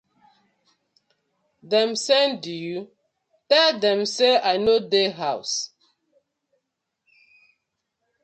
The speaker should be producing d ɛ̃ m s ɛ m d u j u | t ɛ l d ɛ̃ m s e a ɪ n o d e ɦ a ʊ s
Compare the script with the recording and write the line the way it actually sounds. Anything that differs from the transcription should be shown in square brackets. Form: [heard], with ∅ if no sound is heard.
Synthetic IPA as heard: d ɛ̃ m s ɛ [n] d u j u | t ɛ l d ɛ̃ m s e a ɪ n o d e ɦ a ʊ s